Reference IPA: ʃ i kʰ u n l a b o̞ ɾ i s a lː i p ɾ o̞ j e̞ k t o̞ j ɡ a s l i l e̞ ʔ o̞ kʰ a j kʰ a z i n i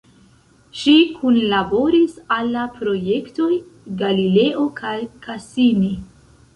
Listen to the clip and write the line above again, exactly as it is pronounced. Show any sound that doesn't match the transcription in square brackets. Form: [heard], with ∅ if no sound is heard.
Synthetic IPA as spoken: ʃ i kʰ u n l a b o̞ ɾ i s a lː [a] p ɾ o̞ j e̞ k t o̞ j ɡ a [∅] l i l e̞ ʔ o̞ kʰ a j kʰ a [s] i n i